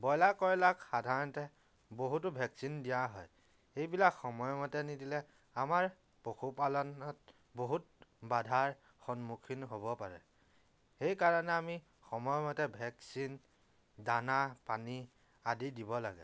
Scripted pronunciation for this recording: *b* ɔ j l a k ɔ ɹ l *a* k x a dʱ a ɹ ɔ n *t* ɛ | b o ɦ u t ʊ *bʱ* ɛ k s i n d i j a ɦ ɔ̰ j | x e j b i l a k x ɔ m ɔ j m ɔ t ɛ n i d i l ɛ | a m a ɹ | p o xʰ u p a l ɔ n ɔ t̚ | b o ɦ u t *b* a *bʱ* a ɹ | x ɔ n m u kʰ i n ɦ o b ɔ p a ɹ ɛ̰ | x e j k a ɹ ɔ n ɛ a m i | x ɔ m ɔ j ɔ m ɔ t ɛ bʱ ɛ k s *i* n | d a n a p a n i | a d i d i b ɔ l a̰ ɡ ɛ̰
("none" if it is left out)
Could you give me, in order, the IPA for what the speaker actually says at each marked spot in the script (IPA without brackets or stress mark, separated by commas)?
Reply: b, a, t, bʱ, b, dʱ, i